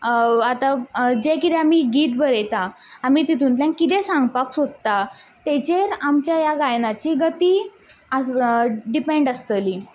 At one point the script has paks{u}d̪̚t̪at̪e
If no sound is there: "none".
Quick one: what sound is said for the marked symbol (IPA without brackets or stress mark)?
o